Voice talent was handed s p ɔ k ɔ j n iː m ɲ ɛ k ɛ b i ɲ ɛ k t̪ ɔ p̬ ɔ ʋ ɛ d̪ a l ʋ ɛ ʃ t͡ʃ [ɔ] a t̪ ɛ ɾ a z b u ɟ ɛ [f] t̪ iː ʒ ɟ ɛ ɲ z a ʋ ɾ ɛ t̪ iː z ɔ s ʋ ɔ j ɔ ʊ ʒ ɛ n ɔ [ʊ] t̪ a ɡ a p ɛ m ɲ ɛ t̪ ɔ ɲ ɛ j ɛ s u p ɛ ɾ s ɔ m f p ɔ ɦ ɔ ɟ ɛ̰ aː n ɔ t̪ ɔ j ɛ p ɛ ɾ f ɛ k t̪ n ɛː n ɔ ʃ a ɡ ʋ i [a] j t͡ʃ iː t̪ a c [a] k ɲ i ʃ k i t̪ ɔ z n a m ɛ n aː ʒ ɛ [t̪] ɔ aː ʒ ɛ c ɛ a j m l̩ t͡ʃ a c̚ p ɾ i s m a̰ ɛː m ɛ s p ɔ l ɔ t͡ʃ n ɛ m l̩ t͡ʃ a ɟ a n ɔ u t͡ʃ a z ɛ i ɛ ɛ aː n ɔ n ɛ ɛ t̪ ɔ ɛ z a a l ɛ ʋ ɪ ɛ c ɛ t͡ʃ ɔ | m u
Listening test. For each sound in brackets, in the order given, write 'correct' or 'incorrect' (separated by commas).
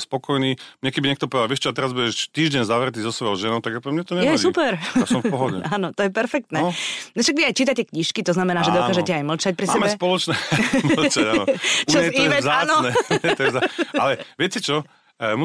correct, incorrect, correct, correct, incorrect, incorrect